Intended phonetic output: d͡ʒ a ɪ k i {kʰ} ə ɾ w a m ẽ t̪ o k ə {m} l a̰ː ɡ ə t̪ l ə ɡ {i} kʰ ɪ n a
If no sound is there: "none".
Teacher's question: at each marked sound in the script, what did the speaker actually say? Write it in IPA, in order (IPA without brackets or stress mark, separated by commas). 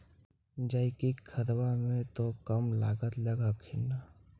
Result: kʰ, m, a